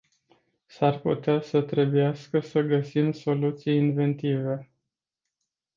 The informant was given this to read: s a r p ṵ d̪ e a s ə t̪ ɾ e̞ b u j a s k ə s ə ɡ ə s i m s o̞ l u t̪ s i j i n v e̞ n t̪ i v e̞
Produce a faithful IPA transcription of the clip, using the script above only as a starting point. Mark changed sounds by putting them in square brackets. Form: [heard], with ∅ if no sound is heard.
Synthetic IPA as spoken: s a r p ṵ [t̪] e a s ə t̪ ɾ e̞ b u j a s k ə s ə ɡ ə s i m s o̞ l u t̪ s i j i n v e̞ n t̪ i v e̞